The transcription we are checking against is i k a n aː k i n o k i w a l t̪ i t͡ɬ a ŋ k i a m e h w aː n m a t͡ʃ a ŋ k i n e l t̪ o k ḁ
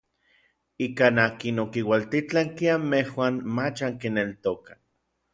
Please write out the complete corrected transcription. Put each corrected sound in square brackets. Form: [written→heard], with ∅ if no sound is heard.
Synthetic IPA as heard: i k a n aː k i n o k i w a l t̪ i t͡ɬ a ŋ k i a m e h w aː n m a t͡ʃ a ŋ k i n e l t̪ o k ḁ